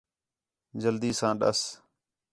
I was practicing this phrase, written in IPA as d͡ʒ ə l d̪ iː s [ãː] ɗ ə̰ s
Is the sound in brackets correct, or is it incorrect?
correct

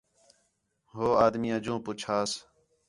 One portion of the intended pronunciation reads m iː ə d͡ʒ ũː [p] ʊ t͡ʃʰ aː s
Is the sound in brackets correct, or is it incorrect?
correct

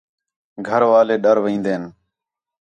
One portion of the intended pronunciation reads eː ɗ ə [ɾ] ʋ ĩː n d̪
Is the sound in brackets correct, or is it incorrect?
correct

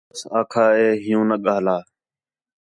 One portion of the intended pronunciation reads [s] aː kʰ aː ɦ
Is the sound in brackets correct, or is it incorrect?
correct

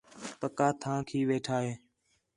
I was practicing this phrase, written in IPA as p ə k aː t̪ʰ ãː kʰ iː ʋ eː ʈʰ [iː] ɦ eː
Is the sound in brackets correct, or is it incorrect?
incorrect: aː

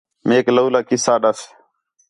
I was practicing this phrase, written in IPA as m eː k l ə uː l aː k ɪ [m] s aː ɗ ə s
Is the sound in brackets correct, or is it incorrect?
incorrect: none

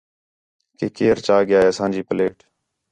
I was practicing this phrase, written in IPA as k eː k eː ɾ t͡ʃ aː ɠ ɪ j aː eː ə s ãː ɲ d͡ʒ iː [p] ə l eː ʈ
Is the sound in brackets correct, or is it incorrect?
correct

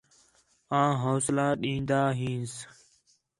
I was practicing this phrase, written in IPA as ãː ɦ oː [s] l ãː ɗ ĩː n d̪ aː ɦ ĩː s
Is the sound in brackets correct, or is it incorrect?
correct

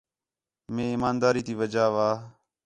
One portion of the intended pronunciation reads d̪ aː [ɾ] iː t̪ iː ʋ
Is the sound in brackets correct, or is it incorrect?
correct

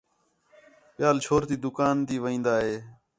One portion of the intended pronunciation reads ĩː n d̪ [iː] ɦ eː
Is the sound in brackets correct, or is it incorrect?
incorrect: aː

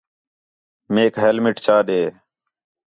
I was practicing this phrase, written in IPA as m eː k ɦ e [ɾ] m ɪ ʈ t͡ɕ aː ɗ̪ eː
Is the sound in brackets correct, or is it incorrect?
incorrect: l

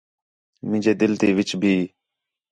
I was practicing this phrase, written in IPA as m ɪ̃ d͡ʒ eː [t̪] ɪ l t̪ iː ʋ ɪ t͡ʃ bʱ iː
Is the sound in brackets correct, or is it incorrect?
incorrect: d̪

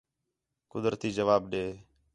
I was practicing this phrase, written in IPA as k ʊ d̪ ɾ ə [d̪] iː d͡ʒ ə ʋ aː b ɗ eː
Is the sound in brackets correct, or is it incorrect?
incorrect: t̪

